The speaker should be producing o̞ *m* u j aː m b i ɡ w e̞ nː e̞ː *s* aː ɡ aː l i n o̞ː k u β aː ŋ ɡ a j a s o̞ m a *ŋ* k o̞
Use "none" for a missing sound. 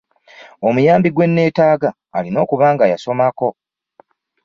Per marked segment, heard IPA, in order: m, t, none

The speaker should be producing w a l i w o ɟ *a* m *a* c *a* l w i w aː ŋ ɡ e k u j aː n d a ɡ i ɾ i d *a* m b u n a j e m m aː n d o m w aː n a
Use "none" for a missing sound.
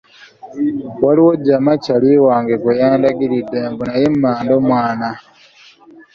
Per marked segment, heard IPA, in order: a, a, a, e

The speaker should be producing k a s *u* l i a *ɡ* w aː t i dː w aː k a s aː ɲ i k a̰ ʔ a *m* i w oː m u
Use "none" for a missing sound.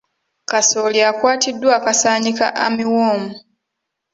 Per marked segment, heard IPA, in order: o, k, m

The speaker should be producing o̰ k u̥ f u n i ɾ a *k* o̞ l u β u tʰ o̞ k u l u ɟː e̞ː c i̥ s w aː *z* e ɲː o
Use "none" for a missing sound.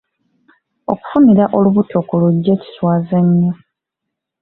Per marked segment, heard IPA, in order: ʔ, z

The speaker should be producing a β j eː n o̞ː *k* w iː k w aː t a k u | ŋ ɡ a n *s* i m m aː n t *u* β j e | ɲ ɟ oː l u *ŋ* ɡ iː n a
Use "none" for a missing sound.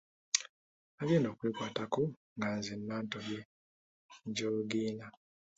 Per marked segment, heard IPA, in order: k, z, o, none

